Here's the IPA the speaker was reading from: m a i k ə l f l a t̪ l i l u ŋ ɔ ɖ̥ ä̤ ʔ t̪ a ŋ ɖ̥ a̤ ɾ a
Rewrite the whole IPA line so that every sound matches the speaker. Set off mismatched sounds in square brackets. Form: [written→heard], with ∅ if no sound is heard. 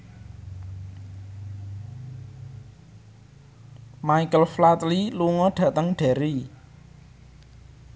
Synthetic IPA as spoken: m a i k ə l f l a t̪ l i l u ŋ ɔ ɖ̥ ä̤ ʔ t̪ [a→ə] ŋ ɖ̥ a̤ ɾ [a→i]